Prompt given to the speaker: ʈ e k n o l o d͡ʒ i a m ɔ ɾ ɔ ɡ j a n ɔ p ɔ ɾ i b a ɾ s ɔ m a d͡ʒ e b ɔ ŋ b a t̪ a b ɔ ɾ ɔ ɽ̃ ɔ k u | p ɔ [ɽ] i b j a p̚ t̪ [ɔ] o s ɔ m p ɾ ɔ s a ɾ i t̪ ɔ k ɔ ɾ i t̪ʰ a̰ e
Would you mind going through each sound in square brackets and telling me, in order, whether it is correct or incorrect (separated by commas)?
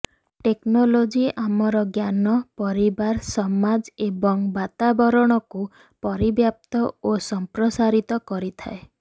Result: incorrect, correct